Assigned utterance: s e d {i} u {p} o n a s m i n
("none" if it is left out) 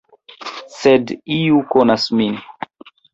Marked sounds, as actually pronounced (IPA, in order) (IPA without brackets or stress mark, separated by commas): i, k